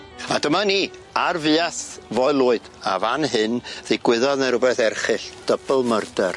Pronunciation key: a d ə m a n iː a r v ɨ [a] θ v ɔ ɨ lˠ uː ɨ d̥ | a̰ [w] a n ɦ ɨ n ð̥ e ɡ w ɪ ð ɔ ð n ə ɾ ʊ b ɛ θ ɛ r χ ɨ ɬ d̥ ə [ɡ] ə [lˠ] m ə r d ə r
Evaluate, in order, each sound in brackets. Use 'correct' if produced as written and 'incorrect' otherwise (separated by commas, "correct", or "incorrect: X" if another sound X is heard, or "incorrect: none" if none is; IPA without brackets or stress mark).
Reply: correct, incorrect: v, incorrect: b, correct